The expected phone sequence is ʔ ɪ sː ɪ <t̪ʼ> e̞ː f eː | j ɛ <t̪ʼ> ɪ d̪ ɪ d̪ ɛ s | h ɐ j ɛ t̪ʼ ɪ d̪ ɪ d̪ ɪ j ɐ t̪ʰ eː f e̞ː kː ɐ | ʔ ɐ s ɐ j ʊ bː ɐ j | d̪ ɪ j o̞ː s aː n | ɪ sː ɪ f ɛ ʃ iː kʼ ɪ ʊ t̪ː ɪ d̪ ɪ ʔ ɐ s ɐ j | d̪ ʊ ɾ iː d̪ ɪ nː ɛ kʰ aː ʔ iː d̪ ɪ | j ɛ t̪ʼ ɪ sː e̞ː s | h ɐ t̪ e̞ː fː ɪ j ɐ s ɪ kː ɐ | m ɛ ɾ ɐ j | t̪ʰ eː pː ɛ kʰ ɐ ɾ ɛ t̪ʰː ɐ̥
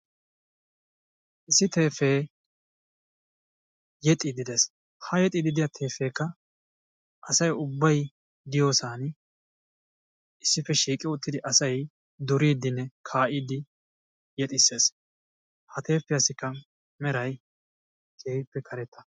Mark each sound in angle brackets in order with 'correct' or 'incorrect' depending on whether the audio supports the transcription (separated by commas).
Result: incorrect, correct